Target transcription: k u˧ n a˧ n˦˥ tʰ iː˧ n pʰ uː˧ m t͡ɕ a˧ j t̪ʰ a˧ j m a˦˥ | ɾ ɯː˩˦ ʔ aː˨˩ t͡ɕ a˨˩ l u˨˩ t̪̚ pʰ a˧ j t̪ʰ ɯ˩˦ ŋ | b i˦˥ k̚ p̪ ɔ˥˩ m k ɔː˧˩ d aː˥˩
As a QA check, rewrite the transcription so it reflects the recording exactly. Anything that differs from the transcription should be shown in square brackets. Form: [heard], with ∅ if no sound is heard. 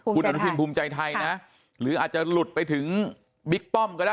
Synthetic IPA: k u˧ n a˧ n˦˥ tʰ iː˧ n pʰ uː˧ m t͡ɕ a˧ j t̪ʰ a˧ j [n] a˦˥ | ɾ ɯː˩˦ ʔ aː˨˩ t͡ɕ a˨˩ l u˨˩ t̪̚ [p] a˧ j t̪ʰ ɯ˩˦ ŋ | b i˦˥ k̚ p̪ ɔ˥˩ m k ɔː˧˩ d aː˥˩